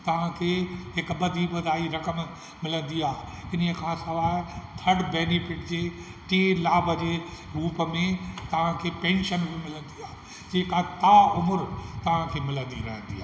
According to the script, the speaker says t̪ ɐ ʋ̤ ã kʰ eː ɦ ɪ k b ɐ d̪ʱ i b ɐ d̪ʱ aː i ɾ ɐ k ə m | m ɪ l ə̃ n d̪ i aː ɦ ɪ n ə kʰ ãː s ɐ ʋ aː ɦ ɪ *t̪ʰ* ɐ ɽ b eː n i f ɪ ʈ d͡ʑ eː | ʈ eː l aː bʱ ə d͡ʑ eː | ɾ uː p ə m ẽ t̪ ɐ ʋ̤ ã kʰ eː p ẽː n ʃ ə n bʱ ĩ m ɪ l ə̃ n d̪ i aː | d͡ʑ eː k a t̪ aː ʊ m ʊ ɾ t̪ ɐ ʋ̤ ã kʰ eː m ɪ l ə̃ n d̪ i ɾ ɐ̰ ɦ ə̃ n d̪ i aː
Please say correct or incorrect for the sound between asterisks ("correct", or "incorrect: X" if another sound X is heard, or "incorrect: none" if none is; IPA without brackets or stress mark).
correct